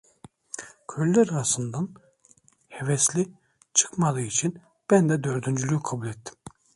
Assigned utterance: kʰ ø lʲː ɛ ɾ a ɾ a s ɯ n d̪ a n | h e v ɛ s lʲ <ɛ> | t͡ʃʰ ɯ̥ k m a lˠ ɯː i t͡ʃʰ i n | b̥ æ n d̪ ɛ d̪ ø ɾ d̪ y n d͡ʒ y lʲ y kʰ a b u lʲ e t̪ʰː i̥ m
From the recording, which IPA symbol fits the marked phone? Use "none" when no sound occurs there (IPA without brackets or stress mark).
i